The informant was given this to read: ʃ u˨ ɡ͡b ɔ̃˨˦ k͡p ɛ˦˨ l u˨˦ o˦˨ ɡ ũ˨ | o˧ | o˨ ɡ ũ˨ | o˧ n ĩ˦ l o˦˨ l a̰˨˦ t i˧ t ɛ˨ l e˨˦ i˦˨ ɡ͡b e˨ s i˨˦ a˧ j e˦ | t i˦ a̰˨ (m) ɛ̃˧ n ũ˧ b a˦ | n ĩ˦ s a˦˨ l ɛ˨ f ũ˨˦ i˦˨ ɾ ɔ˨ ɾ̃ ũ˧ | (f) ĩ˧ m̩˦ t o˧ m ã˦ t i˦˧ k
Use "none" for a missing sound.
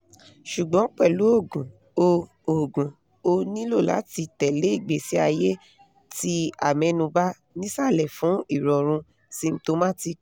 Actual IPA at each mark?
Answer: m, s

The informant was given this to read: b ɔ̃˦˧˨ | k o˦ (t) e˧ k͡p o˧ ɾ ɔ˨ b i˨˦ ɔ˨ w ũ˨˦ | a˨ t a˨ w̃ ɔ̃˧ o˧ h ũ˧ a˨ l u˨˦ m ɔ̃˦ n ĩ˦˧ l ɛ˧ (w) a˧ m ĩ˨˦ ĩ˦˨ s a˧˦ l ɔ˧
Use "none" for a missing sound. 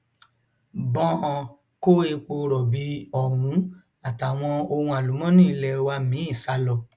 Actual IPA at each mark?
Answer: none, w

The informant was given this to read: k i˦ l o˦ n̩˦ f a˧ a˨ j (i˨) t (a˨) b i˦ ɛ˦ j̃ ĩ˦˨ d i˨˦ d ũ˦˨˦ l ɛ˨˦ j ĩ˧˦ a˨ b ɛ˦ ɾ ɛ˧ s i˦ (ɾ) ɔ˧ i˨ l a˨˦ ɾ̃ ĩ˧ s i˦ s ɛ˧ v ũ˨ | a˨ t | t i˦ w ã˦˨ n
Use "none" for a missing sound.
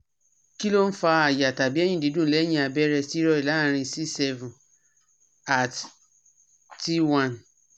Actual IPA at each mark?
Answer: a˨, a˨, ɾ

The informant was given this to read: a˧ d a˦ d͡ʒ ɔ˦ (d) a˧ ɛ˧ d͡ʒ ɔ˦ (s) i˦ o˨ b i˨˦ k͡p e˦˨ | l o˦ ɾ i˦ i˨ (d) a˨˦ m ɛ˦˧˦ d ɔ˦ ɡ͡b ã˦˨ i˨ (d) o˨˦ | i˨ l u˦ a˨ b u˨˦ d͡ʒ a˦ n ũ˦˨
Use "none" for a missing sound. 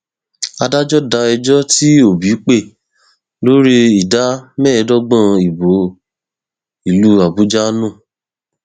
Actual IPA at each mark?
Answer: d, t, d, b

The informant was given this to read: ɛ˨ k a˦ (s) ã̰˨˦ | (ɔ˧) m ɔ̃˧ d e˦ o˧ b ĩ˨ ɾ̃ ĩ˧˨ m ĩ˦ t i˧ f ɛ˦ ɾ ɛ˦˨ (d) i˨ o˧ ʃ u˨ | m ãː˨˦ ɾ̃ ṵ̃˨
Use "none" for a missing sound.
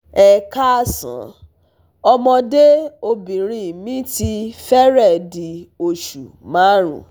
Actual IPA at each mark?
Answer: s, ɔ˧, d

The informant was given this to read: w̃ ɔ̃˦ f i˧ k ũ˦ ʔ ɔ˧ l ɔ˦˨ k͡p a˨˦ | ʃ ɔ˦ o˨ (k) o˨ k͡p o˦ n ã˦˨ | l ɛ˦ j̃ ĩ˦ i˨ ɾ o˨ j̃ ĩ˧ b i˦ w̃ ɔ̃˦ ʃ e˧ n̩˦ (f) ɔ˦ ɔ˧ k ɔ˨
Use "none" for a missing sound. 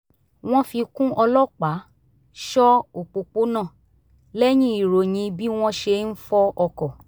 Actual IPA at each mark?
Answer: k͡p, f

